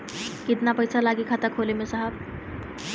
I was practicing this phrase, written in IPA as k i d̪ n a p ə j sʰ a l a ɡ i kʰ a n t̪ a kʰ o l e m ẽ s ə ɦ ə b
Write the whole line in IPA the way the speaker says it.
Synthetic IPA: k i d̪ n a p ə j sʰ a l a ɡ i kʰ a t̪ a kʰ o l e m e s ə ɦ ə b